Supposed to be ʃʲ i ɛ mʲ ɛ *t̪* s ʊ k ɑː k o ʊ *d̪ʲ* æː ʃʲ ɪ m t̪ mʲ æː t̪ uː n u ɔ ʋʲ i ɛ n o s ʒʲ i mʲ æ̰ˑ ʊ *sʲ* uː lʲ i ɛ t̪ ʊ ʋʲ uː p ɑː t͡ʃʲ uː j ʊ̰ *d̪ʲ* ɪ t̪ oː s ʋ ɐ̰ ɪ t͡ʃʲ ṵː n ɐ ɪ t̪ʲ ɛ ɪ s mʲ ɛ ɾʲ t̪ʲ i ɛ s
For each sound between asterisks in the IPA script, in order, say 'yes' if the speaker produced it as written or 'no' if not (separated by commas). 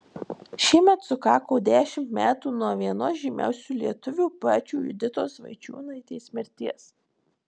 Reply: yes, yes, yes, yes